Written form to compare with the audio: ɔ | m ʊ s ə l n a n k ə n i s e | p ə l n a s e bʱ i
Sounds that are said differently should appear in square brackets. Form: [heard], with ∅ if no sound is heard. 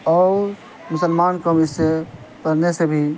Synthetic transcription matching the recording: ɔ | m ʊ s ə l [m] a n k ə [m] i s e | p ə [ɾ] n [e] s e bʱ i